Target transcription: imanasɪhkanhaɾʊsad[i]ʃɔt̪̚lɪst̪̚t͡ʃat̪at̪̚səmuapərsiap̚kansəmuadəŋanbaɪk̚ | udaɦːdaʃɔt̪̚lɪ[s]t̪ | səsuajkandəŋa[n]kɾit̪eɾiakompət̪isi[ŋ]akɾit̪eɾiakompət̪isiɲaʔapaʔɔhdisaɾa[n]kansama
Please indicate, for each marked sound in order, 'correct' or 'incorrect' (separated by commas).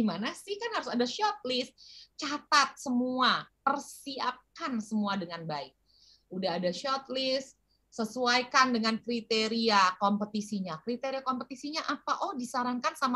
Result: incorrect, correct, correct, incorrect, incorrect